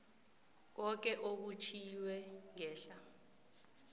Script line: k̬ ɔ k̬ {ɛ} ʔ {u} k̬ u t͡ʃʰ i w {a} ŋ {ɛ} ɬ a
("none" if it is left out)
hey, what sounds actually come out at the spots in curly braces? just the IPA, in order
ɛ, o, ɛ, ɛː

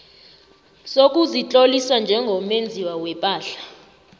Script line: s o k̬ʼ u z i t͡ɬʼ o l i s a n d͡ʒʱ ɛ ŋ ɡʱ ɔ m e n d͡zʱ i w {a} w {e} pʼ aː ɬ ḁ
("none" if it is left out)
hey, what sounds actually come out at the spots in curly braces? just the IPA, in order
a, ɛ

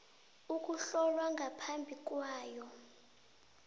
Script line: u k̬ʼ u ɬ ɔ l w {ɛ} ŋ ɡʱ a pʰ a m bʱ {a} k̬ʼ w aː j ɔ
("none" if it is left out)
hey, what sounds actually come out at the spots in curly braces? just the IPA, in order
a, i

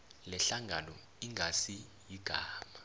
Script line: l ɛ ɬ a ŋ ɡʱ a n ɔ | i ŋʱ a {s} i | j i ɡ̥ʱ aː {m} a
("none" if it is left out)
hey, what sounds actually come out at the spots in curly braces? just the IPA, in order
s, m

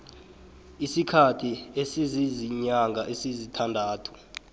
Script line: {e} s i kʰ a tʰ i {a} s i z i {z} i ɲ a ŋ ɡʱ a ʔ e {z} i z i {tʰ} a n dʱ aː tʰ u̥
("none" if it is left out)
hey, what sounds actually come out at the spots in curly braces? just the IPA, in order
i, e, z, s, tʰ

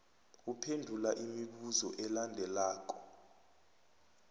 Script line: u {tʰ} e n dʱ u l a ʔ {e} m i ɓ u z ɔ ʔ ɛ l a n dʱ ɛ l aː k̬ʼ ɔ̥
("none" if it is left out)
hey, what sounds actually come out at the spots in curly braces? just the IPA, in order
pʰ, i

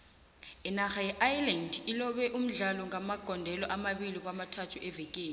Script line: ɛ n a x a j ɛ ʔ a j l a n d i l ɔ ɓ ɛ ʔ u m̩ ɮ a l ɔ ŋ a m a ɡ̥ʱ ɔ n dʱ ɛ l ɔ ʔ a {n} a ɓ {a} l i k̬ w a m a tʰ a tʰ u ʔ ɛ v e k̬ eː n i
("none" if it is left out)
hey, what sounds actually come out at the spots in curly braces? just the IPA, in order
m, i

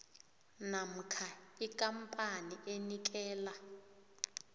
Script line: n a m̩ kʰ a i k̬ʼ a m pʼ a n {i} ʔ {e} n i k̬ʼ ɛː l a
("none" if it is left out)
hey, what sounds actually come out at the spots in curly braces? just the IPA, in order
i, e

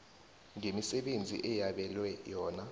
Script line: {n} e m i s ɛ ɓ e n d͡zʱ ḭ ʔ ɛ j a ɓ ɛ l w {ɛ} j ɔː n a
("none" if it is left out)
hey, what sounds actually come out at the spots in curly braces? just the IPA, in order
ŋ, ɛ

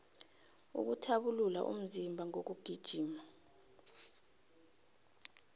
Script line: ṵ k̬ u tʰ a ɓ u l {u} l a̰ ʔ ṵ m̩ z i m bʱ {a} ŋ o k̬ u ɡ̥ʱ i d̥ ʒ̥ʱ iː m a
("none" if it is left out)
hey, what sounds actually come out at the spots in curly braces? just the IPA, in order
u, a

